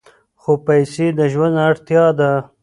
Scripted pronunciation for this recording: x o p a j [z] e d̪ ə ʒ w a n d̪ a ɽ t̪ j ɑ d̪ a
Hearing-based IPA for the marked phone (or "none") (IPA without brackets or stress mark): s